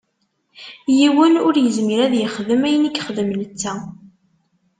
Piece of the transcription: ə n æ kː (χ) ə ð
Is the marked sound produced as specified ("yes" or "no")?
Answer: yes